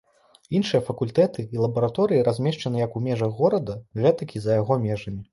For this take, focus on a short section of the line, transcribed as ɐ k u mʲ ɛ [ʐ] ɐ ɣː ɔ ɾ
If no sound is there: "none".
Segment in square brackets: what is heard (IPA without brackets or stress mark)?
ʐ